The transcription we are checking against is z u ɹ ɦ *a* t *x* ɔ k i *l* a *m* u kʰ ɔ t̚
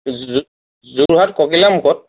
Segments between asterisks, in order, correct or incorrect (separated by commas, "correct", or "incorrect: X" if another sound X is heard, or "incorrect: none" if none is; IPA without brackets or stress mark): correct, incorrect: k, correct, correct